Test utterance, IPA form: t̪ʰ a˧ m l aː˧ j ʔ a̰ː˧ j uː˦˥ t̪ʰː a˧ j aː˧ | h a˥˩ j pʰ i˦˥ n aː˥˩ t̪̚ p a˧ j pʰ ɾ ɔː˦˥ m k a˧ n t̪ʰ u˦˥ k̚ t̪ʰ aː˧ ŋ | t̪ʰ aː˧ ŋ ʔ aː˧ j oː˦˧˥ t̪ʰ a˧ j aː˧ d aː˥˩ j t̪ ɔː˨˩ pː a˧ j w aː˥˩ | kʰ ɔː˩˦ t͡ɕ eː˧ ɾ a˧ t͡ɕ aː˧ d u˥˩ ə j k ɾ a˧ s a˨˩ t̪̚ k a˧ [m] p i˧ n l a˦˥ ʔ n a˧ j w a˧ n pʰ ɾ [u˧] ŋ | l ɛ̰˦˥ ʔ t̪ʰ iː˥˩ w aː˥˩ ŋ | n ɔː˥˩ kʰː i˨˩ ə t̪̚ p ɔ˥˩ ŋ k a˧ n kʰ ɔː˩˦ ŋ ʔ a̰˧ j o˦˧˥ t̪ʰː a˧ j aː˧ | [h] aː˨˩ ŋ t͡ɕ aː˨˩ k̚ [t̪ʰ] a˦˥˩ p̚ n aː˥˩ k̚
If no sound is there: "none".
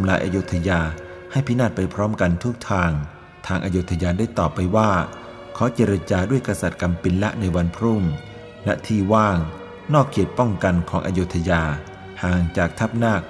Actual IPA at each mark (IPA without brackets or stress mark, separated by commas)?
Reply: m, u˥˩, h, t̪ʰ